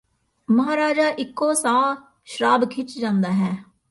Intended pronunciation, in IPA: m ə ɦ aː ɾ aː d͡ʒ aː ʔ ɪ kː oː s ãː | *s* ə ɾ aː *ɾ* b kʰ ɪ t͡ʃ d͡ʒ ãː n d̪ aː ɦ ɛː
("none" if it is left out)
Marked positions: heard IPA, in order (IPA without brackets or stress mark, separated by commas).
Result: ʃ, none